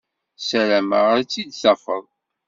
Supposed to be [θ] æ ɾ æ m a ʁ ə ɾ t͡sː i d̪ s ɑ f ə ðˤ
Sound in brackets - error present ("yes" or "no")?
yes